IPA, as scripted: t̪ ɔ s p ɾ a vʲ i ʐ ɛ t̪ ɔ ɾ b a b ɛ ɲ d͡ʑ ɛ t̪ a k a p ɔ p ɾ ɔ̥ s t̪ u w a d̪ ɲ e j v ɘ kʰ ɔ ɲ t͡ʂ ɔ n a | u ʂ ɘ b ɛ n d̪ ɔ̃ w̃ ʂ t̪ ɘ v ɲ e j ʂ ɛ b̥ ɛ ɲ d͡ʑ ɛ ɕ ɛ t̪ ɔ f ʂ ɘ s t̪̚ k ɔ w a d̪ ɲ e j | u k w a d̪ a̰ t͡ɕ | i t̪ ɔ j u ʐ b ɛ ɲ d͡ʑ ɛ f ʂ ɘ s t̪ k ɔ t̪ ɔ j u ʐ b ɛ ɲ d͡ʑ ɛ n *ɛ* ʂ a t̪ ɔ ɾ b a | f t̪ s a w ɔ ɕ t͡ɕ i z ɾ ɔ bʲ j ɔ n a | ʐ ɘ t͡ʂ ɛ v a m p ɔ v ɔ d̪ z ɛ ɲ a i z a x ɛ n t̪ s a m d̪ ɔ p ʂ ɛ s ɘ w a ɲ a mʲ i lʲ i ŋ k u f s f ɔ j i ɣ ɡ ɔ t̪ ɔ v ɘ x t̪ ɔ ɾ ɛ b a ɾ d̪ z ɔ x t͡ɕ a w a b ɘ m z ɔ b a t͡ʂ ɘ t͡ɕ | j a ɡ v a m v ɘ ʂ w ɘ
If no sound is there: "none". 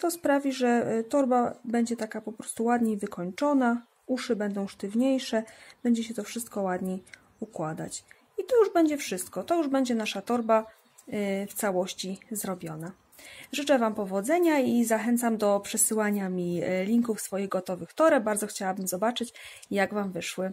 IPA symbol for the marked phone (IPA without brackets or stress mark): a